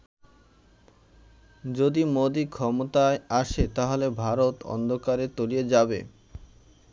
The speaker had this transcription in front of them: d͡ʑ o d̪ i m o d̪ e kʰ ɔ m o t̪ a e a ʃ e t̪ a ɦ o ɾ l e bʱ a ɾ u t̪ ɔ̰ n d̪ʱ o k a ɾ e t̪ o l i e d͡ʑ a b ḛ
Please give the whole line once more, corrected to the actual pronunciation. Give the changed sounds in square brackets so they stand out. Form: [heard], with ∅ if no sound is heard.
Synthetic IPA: d͡ʑ o d̪ i m o d̪ [i] kʰ ɔ m o t̪ a e a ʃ e t̪ a ɦ o [∅] l e bʱ a ɾ [o] t̪ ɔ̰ n d̪ʱ o k a ɾ e t̪ o l i e d͡ʑ a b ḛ